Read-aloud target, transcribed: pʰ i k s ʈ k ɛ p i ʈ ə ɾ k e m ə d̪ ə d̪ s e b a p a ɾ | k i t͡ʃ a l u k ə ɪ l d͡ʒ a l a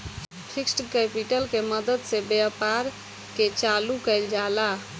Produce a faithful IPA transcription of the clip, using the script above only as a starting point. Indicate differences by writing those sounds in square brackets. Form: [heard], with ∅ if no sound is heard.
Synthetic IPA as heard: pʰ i k s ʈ k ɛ p i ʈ ə [l] k e m ə d̪ ə d̪ s e b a p a ɾ | k [e] t͡ʃ a l u k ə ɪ l d͡ʒ a l a